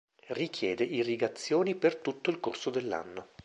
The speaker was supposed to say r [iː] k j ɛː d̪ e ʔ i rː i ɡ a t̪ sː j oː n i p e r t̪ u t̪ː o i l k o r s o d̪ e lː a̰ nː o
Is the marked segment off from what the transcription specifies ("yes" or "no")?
yes